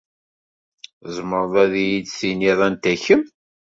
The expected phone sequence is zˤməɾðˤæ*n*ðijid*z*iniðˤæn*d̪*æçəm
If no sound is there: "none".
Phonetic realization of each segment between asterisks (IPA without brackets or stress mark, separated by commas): none, s, t̪